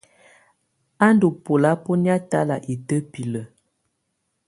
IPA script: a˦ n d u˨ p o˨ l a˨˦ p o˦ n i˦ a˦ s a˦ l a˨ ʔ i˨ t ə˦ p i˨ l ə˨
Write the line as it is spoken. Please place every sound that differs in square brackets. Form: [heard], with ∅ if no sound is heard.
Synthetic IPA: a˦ n d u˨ p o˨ l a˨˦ p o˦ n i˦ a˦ [t] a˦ l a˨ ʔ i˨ t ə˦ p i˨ l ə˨